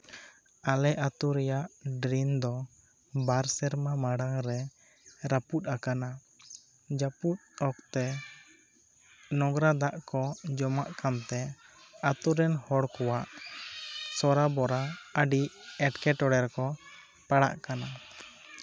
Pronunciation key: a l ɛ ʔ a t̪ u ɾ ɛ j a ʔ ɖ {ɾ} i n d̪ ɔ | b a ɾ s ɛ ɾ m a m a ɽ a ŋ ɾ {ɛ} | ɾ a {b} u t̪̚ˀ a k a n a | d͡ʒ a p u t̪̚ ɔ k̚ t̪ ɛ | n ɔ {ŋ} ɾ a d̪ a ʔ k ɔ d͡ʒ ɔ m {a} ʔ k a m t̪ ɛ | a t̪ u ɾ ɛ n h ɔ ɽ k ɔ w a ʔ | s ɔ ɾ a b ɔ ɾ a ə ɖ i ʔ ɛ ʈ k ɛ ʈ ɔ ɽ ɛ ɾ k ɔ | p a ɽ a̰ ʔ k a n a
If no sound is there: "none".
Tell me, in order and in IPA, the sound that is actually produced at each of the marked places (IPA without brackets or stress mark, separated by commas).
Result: ɾ, ɛ, p, ɡ, a